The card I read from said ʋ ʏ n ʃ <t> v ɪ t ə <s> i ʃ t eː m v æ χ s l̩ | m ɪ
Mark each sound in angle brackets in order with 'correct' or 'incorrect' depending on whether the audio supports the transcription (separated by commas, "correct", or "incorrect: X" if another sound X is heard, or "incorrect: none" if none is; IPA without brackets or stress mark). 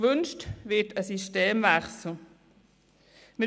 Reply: correct, correct